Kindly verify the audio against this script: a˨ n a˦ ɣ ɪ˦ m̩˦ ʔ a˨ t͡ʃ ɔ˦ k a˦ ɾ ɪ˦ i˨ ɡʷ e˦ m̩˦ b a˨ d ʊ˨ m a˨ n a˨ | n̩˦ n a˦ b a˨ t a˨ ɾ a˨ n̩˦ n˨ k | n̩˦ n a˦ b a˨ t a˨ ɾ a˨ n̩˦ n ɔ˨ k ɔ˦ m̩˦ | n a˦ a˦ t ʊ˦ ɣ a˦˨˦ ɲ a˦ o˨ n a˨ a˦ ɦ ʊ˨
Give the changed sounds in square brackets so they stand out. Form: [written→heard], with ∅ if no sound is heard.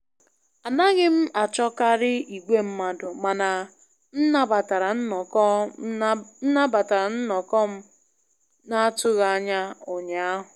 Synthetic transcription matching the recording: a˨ n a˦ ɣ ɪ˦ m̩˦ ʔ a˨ t͡ʃ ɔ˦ k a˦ ɾ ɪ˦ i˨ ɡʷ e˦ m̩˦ [b→m] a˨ d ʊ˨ m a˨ n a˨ | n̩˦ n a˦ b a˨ t a˨ ɾ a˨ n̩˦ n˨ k | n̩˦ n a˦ b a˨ t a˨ ɾ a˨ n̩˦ n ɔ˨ k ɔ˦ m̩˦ | n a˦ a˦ t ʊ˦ ɣ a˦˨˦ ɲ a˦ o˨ [n→ɲ] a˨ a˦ ɦ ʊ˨